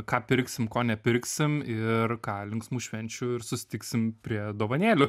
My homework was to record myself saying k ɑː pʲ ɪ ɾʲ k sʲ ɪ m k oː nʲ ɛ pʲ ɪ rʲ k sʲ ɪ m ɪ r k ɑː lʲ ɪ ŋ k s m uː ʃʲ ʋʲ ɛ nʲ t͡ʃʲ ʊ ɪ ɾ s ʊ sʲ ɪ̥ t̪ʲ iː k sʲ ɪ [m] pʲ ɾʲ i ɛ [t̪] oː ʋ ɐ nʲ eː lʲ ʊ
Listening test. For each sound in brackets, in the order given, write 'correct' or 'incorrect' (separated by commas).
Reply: correct, incorrect